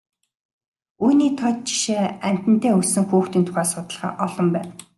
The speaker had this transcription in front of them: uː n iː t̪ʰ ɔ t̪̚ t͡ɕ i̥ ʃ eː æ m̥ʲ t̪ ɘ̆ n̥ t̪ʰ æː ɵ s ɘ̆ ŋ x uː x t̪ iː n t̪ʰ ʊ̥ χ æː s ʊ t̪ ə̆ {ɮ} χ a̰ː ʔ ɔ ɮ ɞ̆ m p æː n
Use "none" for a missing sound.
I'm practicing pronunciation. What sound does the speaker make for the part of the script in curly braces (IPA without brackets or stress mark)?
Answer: ɮ